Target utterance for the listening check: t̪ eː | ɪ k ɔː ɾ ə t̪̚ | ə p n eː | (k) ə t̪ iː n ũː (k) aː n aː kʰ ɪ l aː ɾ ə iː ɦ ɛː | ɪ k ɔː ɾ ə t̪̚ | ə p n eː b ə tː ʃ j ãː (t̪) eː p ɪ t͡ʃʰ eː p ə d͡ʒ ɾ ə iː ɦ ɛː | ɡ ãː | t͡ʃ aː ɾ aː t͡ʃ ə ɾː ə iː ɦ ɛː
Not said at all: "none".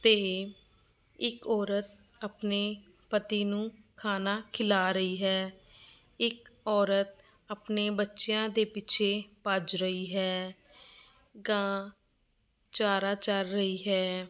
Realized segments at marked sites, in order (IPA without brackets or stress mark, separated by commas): p, kʰ, d̪